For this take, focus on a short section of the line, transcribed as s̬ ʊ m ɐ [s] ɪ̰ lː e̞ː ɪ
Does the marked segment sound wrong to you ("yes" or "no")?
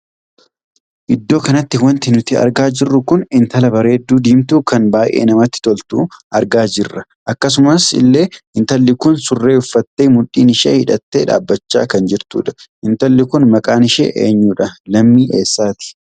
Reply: no